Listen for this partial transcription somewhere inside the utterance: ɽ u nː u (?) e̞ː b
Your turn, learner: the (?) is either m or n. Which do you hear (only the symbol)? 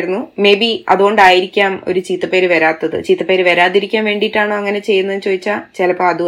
m